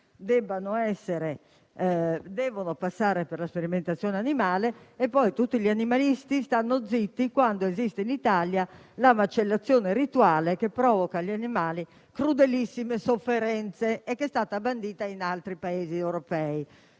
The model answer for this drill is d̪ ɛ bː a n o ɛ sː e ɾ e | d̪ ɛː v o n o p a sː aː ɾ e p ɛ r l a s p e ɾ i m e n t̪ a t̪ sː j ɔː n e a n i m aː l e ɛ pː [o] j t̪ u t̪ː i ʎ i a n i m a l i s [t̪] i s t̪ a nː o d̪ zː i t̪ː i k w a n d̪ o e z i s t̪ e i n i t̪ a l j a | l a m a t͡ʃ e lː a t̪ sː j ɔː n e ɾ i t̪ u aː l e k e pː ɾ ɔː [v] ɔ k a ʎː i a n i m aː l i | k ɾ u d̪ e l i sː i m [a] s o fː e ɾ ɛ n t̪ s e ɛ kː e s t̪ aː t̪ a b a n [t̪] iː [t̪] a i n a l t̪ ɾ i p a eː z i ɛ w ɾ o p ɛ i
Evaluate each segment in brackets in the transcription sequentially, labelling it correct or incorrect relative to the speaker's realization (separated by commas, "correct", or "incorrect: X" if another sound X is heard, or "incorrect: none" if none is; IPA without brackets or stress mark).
incorrect: ɔ, correct, correct, incorrect: e, incorrect: d̪, correct